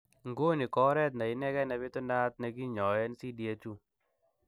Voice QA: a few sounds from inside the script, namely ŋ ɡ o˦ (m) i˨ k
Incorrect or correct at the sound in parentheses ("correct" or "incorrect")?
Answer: incorrect